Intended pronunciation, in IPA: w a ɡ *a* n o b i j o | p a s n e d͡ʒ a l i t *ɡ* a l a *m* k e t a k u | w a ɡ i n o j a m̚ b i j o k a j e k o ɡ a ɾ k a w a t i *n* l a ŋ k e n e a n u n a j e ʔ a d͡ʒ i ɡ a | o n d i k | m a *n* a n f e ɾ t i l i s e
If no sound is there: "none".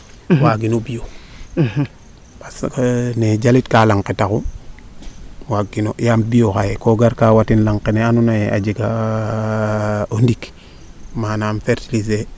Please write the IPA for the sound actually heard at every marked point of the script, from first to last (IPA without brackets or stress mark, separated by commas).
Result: i, k, ŋ, n, n